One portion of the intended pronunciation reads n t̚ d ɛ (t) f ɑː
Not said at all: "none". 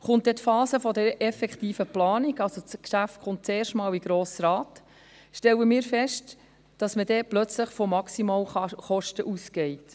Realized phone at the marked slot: t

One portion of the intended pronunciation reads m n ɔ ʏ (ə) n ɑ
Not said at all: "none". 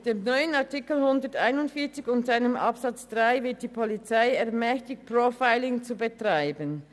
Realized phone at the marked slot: ə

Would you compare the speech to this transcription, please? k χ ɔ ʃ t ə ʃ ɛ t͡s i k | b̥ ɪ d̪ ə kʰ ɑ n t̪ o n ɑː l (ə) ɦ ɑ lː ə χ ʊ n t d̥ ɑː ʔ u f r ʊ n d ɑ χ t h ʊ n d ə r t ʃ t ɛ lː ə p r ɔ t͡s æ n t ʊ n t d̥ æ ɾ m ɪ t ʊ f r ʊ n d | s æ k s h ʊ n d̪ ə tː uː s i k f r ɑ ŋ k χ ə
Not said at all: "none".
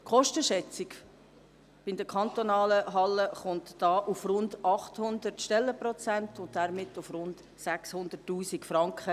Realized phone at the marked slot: ə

